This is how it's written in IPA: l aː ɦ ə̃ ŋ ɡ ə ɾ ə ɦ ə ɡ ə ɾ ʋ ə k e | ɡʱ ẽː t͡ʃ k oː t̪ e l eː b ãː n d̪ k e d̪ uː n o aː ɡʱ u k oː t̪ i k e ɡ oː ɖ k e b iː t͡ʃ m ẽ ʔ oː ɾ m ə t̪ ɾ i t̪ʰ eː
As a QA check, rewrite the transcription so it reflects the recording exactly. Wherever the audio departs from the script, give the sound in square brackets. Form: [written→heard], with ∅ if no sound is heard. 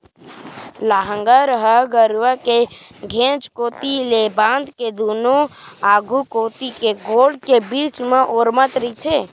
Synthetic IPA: l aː ɦ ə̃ ŋ ɡ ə ɾ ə ɦ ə ɡ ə ɾ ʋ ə k e | ɡʱ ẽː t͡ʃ k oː t̪ [e→i] l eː b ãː n d̪ k e d̪ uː n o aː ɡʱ u k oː t̪ i k e ɡ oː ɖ k e b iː t͡ʃ m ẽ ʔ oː ɾ m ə t̪ ɾ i t̪ʰ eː